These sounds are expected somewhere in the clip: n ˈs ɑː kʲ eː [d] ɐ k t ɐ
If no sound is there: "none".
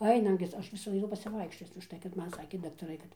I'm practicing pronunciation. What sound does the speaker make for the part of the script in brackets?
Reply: d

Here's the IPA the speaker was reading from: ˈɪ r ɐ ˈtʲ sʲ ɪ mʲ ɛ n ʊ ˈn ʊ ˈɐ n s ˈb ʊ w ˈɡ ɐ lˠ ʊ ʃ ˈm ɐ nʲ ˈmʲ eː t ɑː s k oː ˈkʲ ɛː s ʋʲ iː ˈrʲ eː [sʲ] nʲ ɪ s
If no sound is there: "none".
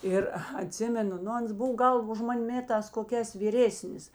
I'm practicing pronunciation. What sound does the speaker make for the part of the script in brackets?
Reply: sʲ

